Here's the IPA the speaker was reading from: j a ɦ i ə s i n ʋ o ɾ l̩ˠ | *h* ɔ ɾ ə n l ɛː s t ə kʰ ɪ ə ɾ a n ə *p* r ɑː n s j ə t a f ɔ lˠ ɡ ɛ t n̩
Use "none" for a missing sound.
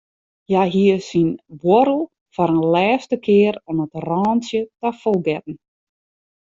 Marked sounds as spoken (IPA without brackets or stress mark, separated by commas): f, t